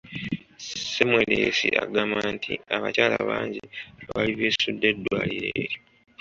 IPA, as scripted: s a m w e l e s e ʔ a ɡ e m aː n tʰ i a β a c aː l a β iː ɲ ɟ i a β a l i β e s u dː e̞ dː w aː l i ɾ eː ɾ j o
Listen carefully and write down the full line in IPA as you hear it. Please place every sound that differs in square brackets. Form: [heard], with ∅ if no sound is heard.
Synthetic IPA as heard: s [e] m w e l e s [i] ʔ a ɡ [a] m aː n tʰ i a β a c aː l a β [aː] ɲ ɟ i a β a l i β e s u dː e̞ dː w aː l i ɾ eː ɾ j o